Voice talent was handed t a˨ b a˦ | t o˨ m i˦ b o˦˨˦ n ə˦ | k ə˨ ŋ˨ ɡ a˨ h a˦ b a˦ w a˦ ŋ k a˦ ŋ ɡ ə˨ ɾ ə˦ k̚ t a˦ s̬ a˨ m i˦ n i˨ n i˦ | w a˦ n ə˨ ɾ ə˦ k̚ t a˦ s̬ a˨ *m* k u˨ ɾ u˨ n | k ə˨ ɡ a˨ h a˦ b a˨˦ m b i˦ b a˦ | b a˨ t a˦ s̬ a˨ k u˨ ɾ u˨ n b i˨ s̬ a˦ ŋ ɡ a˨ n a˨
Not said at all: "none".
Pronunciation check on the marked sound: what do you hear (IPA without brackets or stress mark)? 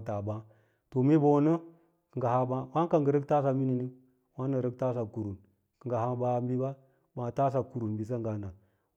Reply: none